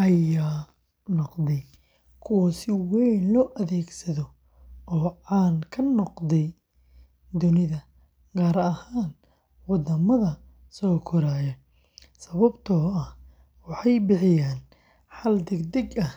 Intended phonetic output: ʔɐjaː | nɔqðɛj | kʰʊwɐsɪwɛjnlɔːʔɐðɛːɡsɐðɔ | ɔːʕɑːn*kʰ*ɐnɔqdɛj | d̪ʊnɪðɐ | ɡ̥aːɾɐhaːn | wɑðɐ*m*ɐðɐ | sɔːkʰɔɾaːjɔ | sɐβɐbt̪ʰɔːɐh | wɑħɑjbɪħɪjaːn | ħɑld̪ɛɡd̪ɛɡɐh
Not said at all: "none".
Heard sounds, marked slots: kʰ, m

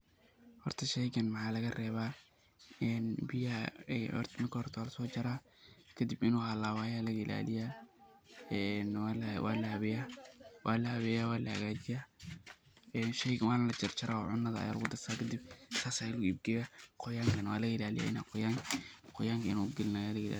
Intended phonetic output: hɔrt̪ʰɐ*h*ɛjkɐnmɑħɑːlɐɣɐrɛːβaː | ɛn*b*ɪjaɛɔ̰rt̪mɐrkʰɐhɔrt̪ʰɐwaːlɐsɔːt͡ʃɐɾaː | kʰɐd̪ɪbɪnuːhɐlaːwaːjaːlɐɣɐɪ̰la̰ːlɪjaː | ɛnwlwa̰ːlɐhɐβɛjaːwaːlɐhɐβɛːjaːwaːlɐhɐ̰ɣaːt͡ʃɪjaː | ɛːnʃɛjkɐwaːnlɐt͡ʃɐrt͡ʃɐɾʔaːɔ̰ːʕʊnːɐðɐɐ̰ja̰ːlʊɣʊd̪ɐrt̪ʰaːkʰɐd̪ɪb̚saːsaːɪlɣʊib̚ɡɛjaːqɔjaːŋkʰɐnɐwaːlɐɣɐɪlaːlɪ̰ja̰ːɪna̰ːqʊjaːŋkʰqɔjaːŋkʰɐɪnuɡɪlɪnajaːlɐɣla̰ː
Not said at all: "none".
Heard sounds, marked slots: ʃ, b

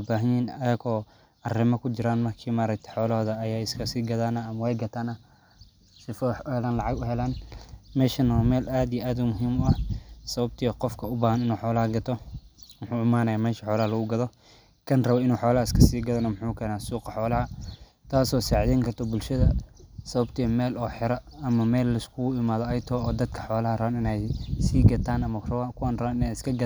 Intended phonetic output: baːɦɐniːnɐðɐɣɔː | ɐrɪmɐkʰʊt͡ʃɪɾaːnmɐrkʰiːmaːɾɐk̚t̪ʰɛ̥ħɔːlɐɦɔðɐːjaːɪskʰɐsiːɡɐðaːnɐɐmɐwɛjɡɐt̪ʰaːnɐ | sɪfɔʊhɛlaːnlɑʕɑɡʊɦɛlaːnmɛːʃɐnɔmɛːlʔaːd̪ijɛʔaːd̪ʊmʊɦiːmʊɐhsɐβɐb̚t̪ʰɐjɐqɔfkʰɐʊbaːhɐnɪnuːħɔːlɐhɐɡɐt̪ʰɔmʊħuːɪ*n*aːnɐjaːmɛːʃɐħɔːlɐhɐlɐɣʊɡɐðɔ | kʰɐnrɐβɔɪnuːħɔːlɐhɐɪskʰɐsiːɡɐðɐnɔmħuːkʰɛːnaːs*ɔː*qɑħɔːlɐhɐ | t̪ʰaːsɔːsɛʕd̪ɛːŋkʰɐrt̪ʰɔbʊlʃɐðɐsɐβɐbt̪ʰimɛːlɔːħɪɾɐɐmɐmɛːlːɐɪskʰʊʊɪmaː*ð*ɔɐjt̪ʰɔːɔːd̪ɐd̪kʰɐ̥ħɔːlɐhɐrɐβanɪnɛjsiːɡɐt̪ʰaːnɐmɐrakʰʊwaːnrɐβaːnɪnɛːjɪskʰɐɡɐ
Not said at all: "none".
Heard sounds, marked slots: m, uː, ð

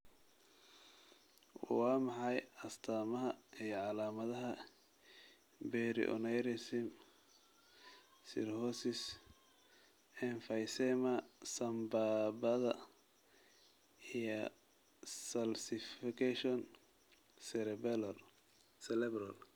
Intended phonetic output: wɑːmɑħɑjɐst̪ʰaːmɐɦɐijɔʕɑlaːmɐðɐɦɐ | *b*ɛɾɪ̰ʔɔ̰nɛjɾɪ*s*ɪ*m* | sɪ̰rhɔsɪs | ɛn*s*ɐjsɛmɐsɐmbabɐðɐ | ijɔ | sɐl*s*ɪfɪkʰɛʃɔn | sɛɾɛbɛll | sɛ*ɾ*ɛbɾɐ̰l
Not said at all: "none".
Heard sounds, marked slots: b, s, m, f, s, l

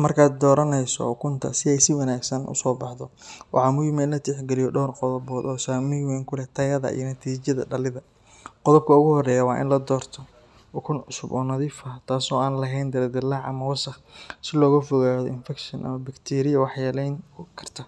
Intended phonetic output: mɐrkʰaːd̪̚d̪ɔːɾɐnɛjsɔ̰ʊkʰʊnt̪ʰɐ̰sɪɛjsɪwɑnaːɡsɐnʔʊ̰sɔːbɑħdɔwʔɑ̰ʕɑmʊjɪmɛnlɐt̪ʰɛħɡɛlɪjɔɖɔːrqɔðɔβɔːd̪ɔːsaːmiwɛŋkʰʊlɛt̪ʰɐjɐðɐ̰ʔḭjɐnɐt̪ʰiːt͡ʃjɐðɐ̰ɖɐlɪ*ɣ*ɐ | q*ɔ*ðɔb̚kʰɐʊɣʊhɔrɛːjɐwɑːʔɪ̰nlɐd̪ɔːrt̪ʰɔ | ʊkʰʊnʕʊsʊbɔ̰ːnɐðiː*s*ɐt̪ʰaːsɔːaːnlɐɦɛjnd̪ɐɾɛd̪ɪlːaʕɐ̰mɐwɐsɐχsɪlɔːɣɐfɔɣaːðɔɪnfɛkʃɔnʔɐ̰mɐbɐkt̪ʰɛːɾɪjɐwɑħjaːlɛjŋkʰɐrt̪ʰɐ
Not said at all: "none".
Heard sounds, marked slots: ð, ɔ, f

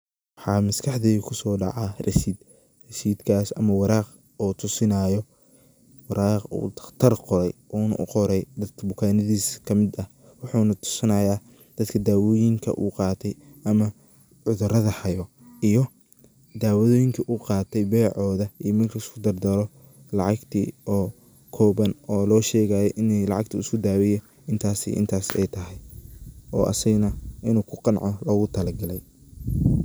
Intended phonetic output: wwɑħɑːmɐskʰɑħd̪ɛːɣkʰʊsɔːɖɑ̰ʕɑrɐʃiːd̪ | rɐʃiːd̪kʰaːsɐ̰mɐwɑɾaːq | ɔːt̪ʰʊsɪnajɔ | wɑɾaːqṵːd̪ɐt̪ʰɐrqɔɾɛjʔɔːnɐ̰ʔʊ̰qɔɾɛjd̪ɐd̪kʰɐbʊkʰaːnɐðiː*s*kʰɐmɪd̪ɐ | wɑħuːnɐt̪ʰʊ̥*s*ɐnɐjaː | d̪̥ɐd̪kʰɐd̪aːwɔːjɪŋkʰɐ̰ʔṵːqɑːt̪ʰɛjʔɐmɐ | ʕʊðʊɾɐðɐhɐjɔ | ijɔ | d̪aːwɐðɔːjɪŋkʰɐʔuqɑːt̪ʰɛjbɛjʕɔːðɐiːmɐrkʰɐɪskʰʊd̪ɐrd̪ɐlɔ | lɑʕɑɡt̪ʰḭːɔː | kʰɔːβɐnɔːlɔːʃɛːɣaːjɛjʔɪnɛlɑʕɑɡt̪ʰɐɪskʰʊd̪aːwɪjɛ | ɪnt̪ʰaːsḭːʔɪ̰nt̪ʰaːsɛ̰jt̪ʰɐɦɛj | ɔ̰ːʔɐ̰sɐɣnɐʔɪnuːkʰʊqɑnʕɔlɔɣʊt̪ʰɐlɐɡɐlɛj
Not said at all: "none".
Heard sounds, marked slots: s, s

